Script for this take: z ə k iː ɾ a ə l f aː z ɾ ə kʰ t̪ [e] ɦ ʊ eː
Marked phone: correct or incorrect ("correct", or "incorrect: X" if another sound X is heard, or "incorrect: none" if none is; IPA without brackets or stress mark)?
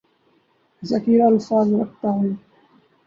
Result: incorrect: a